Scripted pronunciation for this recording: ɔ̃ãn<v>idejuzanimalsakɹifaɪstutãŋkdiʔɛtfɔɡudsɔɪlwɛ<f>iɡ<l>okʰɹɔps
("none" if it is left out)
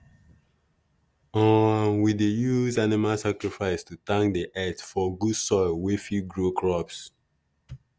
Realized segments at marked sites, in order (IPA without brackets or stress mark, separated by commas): w, f, ɹ